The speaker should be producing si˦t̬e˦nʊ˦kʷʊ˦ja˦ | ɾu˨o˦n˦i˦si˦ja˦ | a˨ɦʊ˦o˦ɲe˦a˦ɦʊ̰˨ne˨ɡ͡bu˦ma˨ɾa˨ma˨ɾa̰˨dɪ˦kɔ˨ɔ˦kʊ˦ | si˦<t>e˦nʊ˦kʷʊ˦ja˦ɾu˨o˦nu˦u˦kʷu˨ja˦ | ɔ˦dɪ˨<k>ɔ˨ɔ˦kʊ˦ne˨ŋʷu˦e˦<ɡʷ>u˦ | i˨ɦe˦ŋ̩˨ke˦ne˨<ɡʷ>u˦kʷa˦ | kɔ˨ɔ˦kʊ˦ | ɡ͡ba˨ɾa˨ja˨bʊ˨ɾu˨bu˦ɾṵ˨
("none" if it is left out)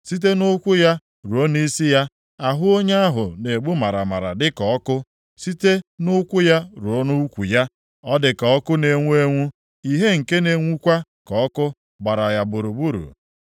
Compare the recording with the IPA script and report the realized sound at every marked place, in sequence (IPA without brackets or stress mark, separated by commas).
t, k, ŋʷ, ŋʷ